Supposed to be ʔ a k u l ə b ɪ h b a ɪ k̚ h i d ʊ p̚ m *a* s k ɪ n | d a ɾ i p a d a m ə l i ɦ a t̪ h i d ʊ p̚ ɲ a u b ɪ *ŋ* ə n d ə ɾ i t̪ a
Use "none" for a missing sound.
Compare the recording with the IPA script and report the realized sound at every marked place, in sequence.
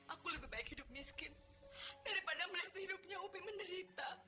i, m

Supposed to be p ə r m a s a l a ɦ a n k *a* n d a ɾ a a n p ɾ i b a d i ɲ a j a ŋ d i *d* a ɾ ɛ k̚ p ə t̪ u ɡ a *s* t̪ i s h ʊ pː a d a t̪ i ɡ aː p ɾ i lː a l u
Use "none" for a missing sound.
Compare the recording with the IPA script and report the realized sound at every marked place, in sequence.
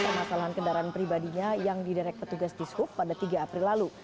ə, d, s

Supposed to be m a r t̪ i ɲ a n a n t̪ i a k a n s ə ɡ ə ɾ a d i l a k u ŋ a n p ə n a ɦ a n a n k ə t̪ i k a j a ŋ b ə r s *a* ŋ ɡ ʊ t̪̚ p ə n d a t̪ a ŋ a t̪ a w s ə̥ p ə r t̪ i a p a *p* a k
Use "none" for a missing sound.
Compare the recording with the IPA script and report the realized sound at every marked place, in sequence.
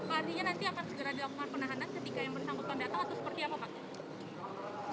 a, p

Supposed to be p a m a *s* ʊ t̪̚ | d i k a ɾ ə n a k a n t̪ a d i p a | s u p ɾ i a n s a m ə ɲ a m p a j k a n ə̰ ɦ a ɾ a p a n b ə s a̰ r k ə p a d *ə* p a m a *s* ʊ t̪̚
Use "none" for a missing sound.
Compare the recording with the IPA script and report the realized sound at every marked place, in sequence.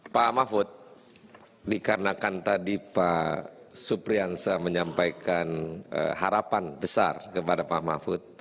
f, a, f

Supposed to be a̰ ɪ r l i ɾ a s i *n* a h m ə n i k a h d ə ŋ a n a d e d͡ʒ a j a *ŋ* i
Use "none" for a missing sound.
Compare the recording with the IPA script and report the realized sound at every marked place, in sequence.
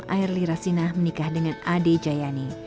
n, n

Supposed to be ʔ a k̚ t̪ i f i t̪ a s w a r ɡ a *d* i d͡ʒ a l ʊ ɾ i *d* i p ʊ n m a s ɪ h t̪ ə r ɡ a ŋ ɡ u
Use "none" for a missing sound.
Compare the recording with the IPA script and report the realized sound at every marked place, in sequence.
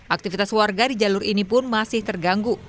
d, n

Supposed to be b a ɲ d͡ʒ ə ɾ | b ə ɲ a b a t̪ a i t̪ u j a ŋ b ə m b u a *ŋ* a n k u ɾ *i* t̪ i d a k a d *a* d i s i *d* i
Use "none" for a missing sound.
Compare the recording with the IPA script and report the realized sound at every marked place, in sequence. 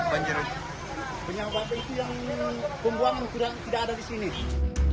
ŋ, a, a, n

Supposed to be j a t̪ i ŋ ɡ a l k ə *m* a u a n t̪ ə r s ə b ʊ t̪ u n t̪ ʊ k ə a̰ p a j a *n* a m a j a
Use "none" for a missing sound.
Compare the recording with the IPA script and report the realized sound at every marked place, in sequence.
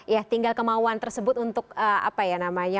m, n

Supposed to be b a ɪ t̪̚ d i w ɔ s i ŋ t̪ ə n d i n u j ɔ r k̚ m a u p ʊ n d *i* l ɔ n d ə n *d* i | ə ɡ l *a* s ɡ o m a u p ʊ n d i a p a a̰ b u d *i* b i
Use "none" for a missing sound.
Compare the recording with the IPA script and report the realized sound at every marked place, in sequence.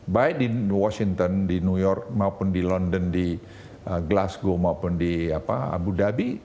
i, d, a, a

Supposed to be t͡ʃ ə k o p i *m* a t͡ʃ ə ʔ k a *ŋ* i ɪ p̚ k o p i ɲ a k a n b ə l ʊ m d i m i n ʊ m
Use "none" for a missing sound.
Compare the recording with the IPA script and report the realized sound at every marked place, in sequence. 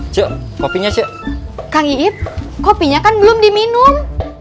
ɲ, ŋ

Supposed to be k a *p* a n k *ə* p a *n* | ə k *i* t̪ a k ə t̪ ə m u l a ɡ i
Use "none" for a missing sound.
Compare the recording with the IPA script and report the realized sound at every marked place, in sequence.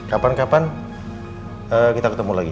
p, a, n, i

